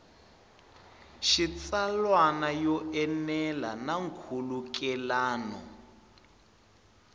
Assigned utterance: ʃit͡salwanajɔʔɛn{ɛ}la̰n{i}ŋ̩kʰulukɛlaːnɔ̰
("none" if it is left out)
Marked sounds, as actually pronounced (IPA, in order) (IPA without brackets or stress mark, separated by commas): ɛ, a